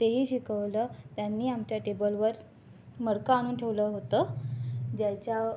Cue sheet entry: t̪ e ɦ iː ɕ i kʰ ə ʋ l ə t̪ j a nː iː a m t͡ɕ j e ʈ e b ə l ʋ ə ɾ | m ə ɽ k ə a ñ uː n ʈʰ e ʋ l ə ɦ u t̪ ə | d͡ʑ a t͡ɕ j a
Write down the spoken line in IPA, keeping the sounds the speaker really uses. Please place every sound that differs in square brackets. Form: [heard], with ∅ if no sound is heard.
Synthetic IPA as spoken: t̪ e ɦ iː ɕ i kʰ ə ʋ l ə t̪ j a nː iː a m t͡ɕ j [a] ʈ e b ə l ʋ ə ɾ | m ə ɽ k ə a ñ uː n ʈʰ e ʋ l ə ɦ [o] t̪ ə | d͡ʑ a t͡ɕ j a